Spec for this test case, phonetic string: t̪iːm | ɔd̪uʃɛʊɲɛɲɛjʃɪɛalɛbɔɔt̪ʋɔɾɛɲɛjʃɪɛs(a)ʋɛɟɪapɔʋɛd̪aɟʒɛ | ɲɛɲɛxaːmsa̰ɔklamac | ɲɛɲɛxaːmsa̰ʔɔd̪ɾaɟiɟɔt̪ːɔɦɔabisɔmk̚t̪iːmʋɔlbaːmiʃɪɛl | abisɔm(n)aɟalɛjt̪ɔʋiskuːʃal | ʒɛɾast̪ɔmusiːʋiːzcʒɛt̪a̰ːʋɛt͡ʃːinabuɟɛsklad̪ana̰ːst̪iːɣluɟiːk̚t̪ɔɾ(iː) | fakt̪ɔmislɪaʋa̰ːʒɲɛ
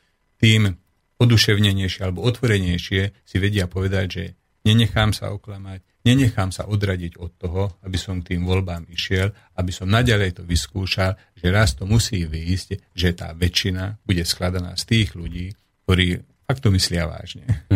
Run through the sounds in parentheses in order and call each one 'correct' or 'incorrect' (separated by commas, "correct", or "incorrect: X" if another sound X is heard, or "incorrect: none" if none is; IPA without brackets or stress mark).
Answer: incorrect: i, correct, correct